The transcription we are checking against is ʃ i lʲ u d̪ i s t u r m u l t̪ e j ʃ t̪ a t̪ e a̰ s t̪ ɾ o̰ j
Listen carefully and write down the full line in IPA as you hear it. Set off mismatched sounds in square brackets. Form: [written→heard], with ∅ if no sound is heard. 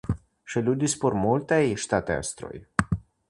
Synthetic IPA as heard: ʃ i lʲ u d̪ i s [t→p] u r m u l t̪ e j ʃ t̪ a t̪ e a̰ s t̪ ɾ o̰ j